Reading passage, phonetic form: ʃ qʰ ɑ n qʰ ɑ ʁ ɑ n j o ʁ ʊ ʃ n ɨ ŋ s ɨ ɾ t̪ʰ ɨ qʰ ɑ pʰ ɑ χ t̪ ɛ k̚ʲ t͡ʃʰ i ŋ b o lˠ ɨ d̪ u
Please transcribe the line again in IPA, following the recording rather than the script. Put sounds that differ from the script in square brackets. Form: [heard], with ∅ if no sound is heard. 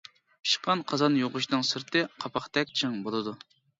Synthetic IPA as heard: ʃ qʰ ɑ n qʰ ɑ [z] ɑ n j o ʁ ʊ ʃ n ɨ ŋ s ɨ ɾ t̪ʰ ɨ qʰ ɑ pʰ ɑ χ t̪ ɛ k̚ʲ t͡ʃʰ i ŋ b o lˠ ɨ d̪ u